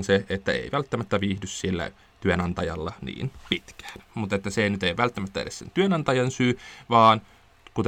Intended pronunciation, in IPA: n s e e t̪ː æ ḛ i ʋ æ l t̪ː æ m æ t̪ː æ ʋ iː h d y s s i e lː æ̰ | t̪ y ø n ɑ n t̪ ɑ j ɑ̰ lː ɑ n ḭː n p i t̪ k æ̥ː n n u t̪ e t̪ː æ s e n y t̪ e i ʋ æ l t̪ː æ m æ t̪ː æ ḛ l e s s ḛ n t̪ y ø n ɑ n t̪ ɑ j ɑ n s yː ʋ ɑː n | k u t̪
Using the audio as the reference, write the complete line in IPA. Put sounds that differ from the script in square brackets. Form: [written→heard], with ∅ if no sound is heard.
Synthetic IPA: n s e e t̪ː æ ḛ i ʋ æ l t̪ː æ m æ t̪ː æ ʋ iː h d y s s i e lː æ̰ | t̪ y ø n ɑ n t̪ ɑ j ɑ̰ lː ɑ n ḭː n p i t̪ k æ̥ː n [n→m] u t̪ e t̪ː æ s e n y t̪ e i ʋ æ l t̪ː æ m æ t̪ː æ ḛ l e s s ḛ n t̪ y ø n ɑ n t̪ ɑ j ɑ n s yː ʋ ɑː n | k u t̪